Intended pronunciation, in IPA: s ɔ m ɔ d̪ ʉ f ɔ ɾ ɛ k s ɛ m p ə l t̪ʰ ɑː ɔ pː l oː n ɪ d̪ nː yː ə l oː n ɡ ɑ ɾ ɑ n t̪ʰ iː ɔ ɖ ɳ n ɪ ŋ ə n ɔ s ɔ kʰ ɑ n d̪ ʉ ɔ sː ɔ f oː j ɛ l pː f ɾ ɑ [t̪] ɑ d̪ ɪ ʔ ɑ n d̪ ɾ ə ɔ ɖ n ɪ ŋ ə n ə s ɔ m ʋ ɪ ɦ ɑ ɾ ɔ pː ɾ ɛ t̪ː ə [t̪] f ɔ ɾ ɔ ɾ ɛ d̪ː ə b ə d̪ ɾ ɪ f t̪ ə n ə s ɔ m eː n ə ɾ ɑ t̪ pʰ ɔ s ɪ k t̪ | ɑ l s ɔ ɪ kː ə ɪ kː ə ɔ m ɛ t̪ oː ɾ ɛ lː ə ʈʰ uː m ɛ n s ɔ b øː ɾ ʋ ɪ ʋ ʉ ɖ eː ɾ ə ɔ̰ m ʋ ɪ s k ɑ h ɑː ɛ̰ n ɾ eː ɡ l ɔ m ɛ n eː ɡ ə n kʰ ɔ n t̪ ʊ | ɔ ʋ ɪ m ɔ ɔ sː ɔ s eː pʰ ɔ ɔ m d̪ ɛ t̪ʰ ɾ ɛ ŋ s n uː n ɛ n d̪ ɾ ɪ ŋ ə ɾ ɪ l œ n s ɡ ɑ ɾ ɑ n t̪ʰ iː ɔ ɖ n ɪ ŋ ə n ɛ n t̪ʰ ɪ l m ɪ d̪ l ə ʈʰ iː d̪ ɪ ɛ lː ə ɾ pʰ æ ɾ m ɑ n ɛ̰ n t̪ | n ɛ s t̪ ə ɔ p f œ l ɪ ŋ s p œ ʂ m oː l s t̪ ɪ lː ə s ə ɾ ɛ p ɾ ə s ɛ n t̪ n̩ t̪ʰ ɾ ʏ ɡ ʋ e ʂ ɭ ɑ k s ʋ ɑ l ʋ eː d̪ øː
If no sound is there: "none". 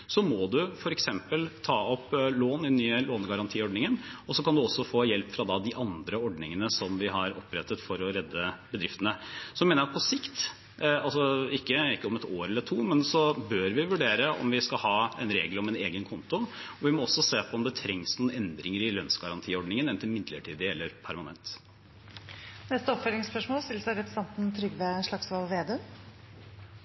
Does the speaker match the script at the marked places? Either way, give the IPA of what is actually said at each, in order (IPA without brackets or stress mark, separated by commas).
d̪, t̪